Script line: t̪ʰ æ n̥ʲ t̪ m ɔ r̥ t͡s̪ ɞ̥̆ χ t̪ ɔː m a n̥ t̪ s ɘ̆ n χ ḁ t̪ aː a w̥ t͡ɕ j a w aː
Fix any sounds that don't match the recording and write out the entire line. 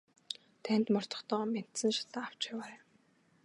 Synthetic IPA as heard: t̪ʰ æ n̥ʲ t̪ m ɔ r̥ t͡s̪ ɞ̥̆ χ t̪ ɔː m e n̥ t̪ s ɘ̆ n ʃ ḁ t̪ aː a w̥ t͡ɕ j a w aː